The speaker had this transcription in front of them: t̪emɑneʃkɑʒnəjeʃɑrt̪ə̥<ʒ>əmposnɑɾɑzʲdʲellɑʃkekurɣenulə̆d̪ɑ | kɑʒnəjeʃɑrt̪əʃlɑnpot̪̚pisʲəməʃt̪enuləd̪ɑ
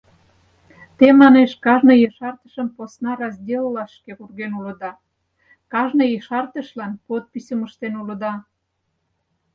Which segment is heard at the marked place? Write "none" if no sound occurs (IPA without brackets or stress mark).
ʃ